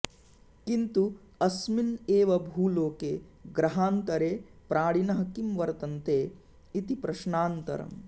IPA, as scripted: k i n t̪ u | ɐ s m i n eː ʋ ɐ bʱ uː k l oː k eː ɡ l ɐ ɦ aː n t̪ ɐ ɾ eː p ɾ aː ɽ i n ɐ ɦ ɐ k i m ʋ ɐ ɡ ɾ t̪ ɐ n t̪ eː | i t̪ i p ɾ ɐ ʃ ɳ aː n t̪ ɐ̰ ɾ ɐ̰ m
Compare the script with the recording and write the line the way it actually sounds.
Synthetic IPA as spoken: k i n t̪ u | ɐ s m i n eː ʋ ɐ bʱ uː l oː k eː ɡ ɾ ɐ ɦ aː n t̪ ɐ ɾ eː p ɾ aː ɽ i n ɐ ɦ ɐ k i m ʋ ɐ ɾ t̪ ɐ n t̪ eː | i t̪ i p ɾ ɐ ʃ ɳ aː n t̪ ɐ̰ ɾ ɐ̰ m

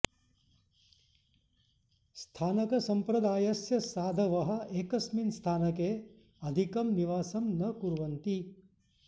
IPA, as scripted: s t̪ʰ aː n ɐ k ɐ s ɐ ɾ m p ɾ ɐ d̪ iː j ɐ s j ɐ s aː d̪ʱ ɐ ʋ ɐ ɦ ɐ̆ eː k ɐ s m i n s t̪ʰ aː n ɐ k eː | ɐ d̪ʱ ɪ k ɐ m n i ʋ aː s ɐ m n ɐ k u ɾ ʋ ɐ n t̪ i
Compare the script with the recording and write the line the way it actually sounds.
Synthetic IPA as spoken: s t̪ʰ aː n ɐ k ɐ s ɐ m p ɾ ɐ d̪ aː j ɐ s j ɐ s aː d̪ʱ ɐ ʋ ɐ ɦ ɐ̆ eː k ɐ s m i n s t̪ʰ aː n ɐ k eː | ɐ d̪ʱ i k ɐ m n i ʋ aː s ɐ m n ɐ k u ɾ ʋ ɐ n t̪ i

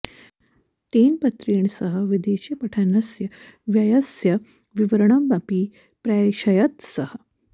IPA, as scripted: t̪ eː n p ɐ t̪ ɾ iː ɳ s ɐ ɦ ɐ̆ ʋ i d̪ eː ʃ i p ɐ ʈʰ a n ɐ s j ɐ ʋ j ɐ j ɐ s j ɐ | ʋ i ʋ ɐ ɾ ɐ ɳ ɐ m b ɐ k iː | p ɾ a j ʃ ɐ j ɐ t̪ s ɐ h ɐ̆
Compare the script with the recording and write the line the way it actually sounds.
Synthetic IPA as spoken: t̪ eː n p ɐ t̪ ɾ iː ɳ s ɐ ɦ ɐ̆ ʋ i d̪ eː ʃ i p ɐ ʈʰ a n ɐ s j ɐ ʋ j ɐ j ɐ s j ɐ | ʋ i ʋ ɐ ɾ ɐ ɳ ɐ m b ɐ p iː | p ɾ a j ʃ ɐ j ɐ t̪ s ɐ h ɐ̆

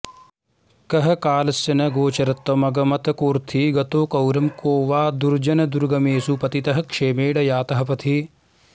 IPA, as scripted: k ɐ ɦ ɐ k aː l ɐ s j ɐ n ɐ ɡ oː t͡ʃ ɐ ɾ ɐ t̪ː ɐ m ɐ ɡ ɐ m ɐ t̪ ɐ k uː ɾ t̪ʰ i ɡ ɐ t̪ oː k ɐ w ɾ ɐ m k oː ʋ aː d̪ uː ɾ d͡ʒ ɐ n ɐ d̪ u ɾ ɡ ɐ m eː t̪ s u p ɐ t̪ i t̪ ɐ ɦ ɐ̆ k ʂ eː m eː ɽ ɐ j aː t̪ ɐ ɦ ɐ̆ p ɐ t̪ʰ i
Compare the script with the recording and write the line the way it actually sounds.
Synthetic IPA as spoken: k ɐ ɦ ɐ k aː l ɐ s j ɐ n ɐ ɡ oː t͡ʃ ɐ ɾ ɐ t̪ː ɐ m ɐ ɡ ɐ m ɐ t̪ ɐ k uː ɾ t̪ʰ i ɡ ɐ t̪ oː k ɐ w ɾ ɐ m k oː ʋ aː d̪ u ɾ d͡ʒ ɐ n ɐ d̪ u ɾ ɡ ɐ m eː s u p ɐ t̪ i t̪ ɐ ɦ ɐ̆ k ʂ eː m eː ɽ ɐ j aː t̪ ɐ ɦ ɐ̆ p ɐ t̪ʰ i

